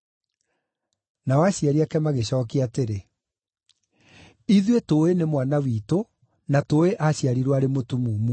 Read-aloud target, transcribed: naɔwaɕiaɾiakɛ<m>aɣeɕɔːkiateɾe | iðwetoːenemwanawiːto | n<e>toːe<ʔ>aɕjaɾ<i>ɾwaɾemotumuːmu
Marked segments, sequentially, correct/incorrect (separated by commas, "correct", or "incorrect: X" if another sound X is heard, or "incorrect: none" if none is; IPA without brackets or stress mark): correct, incorrect: a, correct, correct